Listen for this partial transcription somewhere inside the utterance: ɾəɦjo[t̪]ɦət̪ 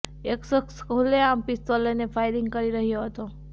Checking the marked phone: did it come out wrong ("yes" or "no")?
yes